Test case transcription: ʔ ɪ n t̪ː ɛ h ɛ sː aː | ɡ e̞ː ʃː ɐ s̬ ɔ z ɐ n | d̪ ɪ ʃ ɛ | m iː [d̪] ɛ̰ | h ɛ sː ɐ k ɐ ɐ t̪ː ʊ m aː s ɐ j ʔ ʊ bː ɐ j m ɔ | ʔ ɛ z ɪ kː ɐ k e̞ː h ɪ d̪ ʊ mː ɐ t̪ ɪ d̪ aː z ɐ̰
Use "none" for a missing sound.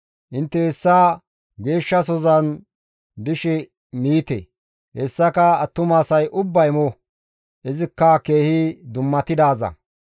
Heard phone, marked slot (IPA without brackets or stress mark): t̪